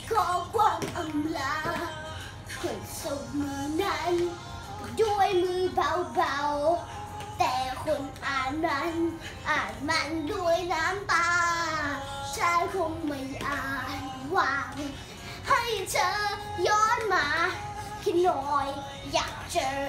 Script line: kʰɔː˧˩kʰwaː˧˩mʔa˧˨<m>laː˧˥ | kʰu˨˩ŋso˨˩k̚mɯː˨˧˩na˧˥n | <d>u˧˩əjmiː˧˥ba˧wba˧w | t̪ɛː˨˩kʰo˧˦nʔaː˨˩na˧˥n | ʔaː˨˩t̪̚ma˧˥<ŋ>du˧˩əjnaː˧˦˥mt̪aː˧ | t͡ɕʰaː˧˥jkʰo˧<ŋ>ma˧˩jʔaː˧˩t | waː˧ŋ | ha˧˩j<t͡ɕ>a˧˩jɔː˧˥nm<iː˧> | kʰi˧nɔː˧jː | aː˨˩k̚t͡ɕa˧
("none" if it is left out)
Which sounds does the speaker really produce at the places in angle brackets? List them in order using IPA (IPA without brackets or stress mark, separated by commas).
m, d, n, ŋ, t͡ɕ, aː˧